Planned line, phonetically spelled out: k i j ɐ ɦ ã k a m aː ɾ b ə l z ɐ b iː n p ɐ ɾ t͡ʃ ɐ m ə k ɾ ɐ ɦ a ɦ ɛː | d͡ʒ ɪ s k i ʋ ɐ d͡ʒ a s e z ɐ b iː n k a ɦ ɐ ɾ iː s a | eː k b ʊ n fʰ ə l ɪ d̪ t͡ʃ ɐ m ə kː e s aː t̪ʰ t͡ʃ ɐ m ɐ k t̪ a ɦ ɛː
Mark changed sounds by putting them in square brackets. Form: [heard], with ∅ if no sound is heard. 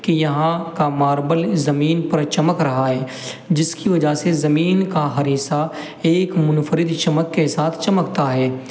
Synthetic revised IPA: k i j ɐ ɦ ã k a m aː ɾ b ə l z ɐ [m] iː n p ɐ ɾ t͡ʃ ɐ m ə k ɾ ɐ ɦ a ɦ ɛː | d͡ʒ ɪ s k i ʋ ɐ d͡ʒ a s e z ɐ [m] iː n k a ɦ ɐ ɾ iː s a | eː k [m] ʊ n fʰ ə [ɾ] ɪ d̪ t͡ʃ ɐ m ə kː e s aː t̪ʰ t͡ʃ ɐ m [ə] k t̪ a ɦ ɛː